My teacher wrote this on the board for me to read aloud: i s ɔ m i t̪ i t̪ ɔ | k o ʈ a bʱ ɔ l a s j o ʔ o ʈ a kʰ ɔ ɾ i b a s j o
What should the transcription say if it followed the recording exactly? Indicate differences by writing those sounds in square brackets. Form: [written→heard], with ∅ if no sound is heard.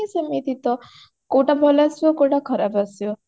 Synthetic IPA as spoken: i s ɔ m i t̪ i t̪ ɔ | k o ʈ a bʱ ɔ l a s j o [ʔ→k] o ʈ a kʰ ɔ ɾ [i→a] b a s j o